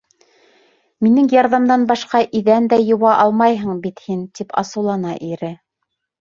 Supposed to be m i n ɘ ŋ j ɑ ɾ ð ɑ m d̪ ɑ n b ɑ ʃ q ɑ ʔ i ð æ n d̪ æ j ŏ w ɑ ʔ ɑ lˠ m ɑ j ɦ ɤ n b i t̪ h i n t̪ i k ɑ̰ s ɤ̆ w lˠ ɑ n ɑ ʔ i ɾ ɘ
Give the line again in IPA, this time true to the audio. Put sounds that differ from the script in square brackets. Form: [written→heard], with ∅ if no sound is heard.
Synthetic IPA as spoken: m i n ɘ ŋ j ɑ ɾ ð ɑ m d̪ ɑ n b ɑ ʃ q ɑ ʔ i ð æ n d̪ æ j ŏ w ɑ ʔ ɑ lˠ m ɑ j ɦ ɤ [n→ɴ] b i t̪ h i n t̪ i [k→p] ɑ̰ s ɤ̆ w lˠ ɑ n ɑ ʔ i ɾ ɘ